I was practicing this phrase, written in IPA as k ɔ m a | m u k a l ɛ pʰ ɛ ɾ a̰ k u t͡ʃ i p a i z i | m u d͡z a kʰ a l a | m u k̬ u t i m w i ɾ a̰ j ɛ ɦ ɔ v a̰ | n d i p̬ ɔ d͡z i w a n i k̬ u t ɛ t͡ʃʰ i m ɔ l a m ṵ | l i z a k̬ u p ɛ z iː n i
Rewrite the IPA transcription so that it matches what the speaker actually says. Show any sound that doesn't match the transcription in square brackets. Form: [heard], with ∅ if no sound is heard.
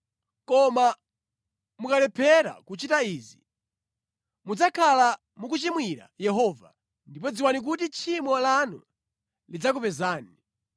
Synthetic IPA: k ɔ m a | m u k a l ɛ pʰ ɛ ɾ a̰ k u t͡ʃ i [t] a i z i | m u d͡z a kʰ a l a | m u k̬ u [t͡ʃ] i m w i ɾ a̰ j ɛ ɦ ɔ v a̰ | n d i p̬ ɔ d͡z i w a n i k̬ u t [i] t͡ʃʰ i m ɔ l a [n] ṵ | l i [d͡z] a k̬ u p ɛ z [aː] n i